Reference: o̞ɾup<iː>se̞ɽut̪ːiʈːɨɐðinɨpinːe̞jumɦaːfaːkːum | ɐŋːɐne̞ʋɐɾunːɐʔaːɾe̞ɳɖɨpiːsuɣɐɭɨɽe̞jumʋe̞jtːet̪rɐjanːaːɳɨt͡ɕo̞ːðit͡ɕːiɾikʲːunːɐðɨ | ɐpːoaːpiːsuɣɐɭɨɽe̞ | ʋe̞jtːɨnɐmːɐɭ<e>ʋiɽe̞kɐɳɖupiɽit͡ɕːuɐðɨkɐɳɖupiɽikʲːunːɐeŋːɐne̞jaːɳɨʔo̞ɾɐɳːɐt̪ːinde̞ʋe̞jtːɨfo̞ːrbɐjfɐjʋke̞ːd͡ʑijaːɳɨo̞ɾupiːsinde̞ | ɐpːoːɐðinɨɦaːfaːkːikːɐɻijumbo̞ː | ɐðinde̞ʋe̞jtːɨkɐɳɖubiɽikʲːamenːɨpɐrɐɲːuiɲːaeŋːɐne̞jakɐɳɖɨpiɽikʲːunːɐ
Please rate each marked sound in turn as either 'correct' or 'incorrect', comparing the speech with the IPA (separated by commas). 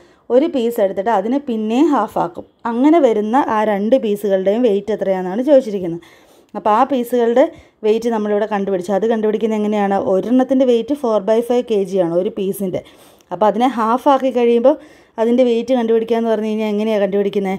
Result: correct, incorrect